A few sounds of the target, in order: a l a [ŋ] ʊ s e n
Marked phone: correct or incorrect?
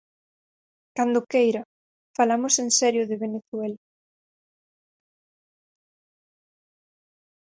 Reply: incorrect